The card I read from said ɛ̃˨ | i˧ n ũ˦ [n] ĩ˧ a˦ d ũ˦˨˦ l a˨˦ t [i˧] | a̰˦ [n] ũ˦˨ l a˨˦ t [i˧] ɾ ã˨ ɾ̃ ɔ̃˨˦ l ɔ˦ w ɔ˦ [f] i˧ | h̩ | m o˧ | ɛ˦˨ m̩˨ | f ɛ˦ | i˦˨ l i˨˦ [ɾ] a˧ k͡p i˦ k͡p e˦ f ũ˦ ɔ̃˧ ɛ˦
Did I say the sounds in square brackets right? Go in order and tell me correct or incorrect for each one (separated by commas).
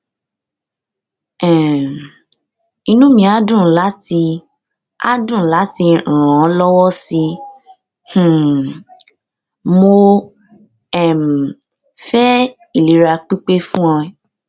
incorrect, correct, incorrect, correct, incorrect, correct